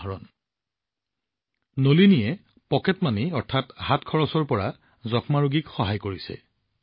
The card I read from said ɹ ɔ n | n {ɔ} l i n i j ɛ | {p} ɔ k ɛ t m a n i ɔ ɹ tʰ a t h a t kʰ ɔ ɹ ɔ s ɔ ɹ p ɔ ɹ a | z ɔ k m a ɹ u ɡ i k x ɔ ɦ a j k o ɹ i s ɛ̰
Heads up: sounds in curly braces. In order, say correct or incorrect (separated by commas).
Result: incorrect, correct